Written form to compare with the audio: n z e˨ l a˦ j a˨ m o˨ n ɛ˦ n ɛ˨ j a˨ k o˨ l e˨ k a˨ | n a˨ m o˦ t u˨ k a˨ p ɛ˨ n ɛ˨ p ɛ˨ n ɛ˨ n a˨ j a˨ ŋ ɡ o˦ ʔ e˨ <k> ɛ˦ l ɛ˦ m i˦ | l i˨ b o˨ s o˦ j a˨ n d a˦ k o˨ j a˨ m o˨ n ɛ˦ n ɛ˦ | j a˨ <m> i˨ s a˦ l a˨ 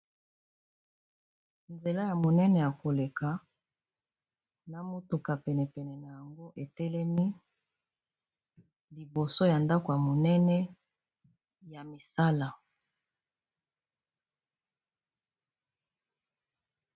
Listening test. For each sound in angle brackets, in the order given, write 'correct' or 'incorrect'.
incorrect: t, correct

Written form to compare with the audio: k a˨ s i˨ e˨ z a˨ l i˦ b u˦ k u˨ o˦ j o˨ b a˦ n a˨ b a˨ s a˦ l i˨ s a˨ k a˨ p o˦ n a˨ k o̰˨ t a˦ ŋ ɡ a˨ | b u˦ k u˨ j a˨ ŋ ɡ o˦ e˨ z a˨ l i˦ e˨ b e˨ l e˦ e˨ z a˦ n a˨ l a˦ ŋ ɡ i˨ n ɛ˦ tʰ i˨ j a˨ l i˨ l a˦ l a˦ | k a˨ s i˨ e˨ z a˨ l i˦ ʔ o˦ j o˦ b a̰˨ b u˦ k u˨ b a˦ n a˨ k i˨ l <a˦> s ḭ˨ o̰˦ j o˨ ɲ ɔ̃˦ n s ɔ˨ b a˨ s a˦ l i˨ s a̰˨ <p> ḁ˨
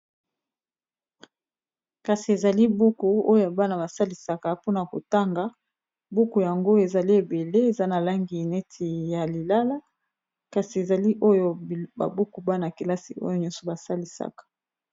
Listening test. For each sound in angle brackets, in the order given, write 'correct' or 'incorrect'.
correct, incorrect: k

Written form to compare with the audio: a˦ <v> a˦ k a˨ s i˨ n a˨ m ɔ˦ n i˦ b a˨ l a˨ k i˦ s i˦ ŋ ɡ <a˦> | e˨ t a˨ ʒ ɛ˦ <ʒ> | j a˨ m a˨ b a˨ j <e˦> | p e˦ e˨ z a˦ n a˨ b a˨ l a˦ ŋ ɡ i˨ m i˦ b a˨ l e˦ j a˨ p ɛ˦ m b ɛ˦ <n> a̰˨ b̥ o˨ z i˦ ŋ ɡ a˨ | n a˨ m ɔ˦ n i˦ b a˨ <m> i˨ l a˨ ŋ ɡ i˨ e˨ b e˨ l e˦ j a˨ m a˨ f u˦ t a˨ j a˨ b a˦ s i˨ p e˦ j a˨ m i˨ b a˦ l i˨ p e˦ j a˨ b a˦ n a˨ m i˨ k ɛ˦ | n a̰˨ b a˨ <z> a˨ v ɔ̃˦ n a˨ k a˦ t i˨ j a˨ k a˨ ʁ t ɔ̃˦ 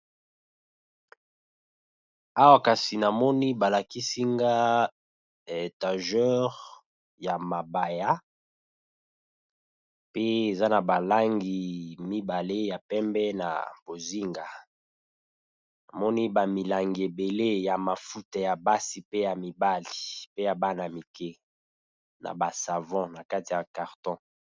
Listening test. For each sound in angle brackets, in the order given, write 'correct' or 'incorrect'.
incorrect: w, correct, incorrect: ʁ, incorrect: a˦, correct, correct, incorrect: s

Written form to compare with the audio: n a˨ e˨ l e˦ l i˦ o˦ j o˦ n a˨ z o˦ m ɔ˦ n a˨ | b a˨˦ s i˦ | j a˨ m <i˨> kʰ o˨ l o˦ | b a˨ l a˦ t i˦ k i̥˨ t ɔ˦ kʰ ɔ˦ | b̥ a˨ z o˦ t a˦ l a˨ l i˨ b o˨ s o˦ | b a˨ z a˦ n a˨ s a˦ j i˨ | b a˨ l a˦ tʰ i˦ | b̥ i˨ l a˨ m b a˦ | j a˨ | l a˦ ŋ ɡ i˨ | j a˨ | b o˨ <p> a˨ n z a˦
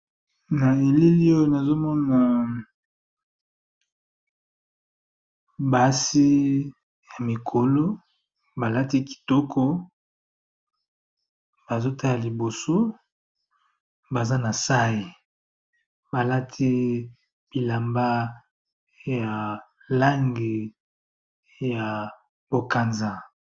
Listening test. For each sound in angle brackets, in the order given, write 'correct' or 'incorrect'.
correct, incorrect: k

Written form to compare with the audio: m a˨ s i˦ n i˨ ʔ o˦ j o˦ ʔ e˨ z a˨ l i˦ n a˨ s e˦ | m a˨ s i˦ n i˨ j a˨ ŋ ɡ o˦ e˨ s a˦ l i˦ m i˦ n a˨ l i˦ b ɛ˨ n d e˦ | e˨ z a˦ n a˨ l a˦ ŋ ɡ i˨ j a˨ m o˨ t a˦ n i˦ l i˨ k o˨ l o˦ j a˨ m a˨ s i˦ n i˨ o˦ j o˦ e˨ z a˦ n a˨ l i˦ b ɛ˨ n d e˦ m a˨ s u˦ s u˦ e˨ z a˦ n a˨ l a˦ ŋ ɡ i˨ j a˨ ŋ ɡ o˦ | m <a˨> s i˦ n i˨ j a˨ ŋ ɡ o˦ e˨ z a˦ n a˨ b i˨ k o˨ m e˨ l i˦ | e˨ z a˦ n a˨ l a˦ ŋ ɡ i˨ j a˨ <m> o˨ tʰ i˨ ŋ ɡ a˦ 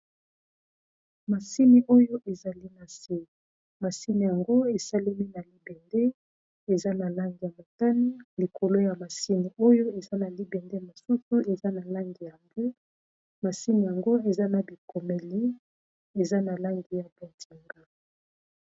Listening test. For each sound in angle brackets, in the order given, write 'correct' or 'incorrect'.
correct, incorrect: b

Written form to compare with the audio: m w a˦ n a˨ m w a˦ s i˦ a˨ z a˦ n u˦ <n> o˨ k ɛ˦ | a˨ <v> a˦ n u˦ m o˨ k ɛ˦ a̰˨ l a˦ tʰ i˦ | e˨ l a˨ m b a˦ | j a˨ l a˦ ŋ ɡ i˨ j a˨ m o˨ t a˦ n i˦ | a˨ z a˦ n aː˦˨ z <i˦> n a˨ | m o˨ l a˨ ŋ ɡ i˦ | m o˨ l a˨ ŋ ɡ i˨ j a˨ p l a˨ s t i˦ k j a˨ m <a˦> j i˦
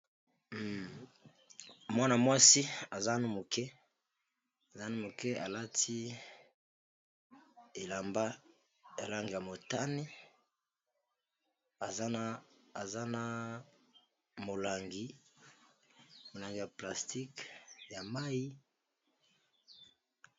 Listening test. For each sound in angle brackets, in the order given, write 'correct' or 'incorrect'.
incorrect: m, incorrect: z, incorrect: a˦, correct

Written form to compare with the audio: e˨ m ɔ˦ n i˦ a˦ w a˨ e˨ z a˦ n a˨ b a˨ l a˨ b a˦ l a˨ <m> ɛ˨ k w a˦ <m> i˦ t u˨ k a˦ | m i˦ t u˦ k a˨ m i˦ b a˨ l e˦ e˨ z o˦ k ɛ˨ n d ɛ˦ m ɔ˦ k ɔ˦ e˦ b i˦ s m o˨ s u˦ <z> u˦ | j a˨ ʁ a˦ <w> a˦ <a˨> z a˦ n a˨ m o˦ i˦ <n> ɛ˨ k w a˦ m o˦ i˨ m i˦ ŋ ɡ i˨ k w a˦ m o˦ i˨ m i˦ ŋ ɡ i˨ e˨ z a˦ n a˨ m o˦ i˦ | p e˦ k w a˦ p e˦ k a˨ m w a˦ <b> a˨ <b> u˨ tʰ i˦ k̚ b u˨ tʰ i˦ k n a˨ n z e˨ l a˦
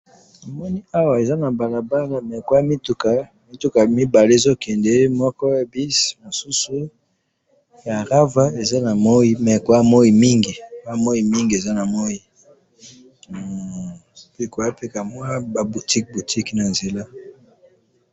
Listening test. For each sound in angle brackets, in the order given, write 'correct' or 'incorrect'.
correct, correct, incorrect: s, incorrect: v, incorrect: e˨, incorrect: m, correct, correct

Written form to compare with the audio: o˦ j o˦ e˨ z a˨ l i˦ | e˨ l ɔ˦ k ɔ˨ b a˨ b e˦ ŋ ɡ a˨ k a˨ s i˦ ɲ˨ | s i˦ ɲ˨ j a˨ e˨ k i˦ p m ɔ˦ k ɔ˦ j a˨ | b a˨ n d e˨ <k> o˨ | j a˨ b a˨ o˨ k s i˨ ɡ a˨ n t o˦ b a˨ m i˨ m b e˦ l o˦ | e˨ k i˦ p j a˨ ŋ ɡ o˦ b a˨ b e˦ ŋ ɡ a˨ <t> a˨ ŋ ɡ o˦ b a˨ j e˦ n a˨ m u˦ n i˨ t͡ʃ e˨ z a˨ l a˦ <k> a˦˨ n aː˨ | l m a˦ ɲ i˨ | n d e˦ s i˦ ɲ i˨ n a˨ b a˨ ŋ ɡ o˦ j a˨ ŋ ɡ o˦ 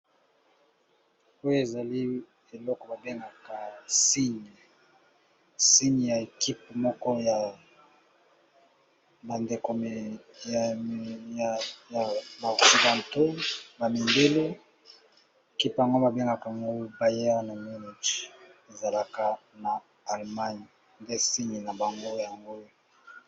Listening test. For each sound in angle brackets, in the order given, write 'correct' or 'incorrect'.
correct, incorrect: k, correct

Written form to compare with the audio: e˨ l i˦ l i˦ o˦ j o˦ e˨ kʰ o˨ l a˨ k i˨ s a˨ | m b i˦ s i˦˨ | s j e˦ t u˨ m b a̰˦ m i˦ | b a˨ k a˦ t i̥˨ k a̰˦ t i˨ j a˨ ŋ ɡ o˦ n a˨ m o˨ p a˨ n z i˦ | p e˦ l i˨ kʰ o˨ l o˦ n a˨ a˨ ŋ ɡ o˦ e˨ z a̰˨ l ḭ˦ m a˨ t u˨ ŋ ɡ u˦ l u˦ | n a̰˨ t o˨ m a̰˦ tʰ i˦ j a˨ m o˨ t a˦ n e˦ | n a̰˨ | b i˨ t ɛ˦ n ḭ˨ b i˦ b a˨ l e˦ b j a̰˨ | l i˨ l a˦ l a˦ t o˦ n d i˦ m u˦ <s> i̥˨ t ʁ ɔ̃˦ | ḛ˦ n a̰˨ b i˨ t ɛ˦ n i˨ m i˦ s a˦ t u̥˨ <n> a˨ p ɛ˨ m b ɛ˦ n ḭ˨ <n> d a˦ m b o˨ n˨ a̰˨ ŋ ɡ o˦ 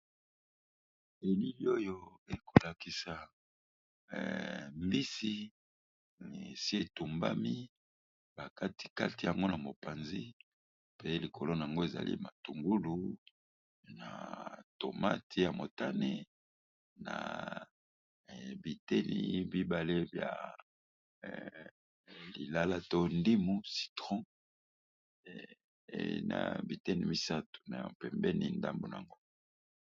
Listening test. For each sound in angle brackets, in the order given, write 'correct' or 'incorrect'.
correct, correct, correct

